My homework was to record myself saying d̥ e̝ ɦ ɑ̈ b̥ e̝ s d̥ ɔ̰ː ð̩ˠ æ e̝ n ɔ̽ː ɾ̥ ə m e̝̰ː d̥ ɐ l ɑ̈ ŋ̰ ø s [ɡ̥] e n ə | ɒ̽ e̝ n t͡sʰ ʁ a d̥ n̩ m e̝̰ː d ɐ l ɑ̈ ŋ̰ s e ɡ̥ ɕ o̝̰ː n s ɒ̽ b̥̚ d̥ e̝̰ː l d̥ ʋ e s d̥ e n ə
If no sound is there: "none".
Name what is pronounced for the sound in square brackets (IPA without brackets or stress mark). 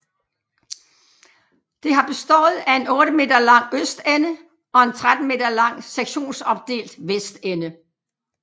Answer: d̥